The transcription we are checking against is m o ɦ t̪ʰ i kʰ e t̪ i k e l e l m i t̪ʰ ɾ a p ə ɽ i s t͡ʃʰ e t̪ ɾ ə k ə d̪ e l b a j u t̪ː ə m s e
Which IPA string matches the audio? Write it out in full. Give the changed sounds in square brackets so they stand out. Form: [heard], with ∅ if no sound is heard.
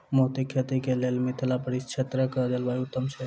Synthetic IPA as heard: m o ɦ [t̪] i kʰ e t̪ i k e l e l m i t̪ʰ [l] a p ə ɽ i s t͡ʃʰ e t̪ ɾ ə k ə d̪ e l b a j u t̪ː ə m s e